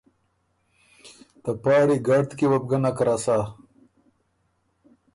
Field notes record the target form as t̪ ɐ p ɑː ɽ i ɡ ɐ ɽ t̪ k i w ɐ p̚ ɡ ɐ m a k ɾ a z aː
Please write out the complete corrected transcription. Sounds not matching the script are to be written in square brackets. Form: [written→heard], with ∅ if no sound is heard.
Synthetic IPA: t̪ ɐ p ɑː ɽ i ɡ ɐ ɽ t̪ k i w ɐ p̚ ɡ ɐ [m→n] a k ɾ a [z→s] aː